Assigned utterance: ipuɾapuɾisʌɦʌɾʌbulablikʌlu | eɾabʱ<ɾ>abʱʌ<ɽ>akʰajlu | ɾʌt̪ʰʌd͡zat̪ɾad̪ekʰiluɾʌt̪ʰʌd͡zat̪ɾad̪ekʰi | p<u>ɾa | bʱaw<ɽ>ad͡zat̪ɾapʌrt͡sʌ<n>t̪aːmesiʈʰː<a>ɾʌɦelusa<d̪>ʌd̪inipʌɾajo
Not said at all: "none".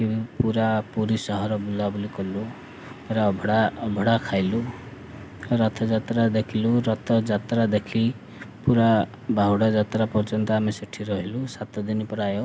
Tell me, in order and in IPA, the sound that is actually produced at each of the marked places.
ɽ, ɽ, u, ɽ, n, i, t̪

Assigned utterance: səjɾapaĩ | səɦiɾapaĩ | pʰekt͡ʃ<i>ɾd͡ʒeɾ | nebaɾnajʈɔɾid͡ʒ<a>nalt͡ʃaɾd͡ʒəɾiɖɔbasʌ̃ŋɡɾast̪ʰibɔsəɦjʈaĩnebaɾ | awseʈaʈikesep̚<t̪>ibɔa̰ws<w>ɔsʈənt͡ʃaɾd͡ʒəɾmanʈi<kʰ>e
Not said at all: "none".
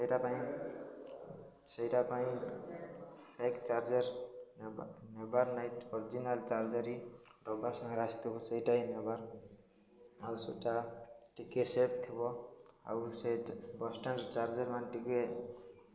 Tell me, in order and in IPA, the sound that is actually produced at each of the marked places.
a, i, t̪ʰ, b, k

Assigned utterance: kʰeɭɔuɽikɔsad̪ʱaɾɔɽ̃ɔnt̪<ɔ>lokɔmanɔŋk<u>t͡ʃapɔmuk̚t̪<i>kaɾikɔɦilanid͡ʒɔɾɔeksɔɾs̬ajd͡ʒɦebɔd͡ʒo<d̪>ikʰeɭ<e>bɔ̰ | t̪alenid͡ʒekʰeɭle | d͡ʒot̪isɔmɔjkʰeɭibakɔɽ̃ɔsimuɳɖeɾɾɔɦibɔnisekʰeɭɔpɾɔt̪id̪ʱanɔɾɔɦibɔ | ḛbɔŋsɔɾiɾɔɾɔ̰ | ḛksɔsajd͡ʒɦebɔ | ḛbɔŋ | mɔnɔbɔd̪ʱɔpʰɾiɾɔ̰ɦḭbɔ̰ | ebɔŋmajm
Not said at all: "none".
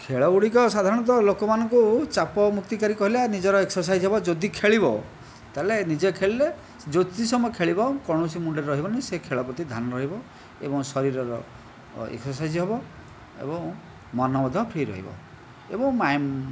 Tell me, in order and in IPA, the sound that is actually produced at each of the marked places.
ɔ, u, i, d̪, i

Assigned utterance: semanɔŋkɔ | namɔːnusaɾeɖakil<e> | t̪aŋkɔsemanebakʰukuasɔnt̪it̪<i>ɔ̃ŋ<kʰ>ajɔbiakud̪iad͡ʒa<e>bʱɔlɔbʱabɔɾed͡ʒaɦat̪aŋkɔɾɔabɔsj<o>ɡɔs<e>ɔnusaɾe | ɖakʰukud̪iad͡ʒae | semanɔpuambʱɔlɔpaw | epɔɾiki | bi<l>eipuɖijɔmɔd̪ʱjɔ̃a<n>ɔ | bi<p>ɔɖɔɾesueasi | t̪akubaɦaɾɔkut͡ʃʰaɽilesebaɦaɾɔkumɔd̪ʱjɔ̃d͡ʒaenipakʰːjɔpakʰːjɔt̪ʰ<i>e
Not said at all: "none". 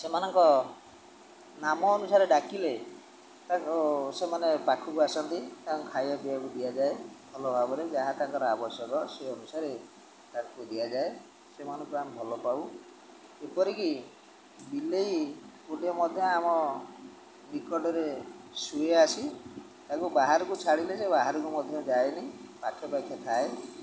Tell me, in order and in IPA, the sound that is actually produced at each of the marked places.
e, a, kʰ, e, ɔ, e, l, m, k, a

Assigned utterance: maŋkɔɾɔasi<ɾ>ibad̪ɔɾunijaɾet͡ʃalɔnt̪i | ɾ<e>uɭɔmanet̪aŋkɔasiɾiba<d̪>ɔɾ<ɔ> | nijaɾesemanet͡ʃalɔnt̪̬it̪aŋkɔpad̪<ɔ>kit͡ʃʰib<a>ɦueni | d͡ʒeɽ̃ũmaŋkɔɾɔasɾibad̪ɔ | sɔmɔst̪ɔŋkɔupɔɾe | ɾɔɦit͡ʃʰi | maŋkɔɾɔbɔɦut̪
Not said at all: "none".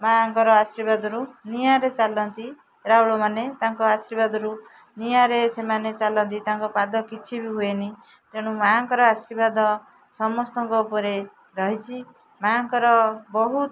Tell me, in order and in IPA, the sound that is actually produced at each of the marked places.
ɾ, a, d̪, u, ɔ, i

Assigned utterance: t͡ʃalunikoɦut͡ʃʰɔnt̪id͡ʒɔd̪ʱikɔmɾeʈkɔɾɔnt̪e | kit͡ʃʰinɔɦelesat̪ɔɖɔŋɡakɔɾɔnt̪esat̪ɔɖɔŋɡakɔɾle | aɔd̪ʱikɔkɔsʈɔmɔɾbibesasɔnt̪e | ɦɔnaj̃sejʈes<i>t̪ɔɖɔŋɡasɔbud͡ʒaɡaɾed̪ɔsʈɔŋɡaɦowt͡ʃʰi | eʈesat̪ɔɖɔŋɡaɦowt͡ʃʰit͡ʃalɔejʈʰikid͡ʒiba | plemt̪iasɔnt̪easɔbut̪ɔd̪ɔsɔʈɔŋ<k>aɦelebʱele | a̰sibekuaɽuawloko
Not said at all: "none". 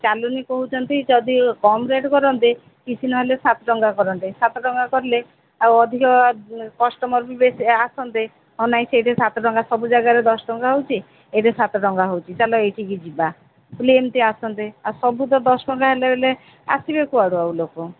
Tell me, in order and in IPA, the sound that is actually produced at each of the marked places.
a, ɡ

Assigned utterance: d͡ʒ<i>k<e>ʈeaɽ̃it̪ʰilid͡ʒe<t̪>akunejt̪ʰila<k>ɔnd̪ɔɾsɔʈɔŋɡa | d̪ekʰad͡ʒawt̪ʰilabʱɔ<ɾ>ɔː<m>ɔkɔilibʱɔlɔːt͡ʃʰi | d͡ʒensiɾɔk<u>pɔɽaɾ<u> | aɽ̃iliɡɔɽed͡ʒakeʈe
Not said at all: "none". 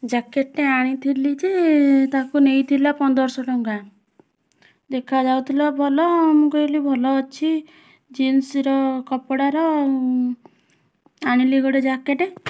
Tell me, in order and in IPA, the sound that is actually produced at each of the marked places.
a, e, t̪, p, l, m, ɔ, ɔ

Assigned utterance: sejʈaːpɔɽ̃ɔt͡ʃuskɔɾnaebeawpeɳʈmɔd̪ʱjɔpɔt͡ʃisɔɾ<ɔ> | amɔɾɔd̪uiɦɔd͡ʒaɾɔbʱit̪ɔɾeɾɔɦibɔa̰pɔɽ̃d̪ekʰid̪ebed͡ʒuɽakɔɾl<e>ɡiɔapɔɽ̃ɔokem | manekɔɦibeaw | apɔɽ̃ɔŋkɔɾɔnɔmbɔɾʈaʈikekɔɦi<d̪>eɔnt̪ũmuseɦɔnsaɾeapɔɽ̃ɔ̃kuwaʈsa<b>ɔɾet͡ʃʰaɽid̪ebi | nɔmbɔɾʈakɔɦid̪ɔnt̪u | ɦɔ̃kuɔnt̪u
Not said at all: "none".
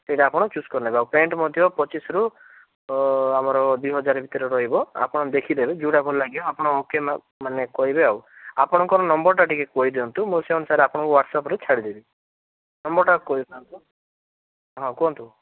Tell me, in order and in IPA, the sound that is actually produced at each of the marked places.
u, a, d̪, p

